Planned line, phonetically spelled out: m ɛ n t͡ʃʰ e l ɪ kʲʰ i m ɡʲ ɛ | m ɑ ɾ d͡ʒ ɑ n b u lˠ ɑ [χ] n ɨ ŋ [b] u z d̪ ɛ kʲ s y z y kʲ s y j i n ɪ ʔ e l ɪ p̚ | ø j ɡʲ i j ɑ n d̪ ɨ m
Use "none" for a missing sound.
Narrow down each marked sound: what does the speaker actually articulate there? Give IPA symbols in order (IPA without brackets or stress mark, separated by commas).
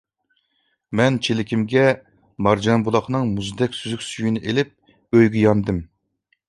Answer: χ, m